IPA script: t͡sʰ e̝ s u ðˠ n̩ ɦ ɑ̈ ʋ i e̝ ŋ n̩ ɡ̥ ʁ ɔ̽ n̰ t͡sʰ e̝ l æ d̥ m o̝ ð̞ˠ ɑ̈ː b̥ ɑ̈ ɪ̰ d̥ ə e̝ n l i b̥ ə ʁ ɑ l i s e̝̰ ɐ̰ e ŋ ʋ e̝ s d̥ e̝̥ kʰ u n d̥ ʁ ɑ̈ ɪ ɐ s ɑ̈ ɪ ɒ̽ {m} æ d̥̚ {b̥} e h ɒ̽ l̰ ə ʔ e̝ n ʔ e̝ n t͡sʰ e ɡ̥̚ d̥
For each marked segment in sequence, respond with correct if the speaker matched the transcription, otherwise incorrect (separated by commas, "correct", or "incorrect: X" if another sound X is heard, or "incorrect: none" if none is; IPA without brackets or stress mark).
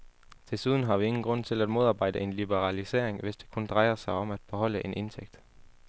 correct, correct